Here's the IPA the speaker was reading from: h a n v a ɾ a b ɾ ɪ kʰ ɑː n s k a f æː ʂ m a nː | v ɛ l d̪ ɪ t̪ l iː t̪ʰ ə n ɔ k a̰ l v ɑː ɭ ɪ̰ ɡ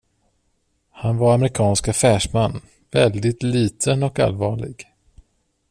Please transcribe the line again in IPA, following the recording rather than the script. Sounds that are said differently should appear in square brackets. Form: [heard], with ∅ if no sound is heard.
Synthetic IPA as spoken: h a n v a ɾ a [m] ɾ ɪ kʰ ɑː n s k a f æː ʂ m a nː | v ɛ l d̪ ɪ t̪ l iː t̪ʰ ə n ɔ k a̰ l v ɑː ɭ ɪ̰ ɡ